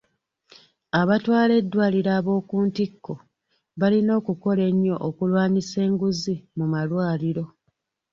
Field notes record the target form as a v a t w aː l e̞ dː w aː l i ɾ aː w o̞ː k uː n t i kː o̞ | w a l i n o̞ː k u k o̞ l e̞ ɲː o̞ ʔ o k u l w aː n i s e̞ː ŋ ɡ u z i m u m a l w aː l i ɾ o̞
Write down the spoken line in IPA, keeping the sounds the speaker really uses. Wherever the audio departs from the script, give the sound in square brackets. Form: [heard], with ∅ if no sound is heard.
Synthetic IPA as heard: a [β] a t w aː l e̞ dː w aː l i ɾ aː [β] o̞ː k uː n t i kː o̞ | [β] a l i n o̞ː k u k o̞ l e̞ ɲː o̞ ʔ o k u l w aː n i s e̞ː ŋ ɡ u z i m u m a l w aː l i ɾ o̞